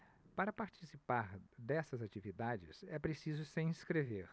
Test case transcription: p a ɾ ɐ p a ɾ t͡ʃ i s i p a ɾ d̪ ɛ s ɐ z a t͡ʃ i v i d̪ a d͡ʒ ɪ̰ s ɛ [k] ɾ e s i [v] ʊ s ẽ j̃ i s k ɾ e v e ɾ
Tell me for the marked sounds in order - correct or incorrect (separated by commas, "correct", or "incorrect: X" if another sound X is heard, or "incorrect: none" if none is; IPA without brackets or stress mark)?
incorrect: p, incorrect: z